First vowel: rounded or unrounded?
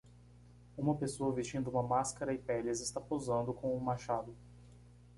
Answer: rounded